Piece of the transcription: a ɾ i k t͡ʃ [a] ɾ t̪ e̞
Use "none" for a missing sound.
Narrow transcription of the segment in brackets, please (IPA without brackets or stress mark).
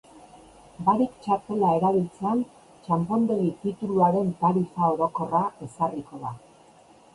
a